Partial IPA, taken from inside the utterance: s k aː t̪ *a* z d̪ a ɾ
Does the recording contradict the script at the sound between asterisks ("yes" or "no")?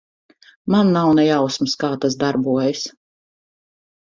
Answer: no